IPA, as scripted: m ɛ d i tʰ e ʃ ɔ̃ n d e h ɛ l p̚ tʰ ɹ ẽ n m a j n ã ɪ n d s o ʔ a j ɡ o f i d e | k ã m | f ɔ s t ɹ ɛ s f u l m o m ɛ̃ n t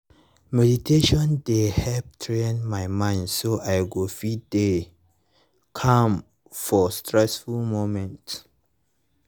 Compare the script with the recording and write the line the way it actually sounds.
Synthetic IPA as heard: m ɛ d i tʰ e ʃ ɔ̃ n d e h ɛ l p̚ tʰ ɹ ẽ n m a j m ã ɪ n d s o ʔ a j ɡ o f i d e | kʰ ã m | f ɔ s t ɹ ɛ s f u l m o m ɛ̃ n t